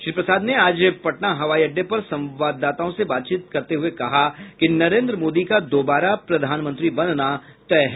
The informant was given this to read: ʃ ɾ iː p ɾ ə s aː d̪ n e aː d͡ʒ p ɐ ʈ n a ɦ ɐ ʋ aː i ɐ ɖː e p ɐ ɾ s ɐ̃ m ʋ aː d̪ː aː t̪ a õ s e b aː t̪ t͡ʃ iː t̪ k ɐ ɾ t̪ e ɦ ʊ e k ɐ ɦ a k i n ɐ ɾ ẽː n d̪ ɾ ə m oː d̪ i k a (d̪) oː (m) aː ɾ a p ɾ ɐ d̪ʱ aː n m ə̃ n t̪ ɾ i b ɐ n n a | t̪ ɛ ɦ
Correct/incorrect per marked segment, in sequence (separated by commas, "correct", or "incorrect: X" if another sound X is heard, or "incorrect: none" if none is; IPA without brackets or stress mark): correct, incorrect: b